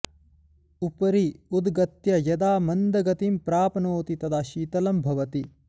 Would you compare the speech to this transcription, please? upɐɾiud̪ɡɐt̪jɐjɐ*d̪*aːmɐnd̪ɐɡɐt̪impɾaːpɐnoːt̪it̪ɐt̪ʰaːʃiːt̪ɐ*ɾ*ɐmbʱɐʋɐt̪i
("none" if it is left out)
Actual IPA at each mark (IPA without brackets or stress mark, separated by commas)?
d̪, l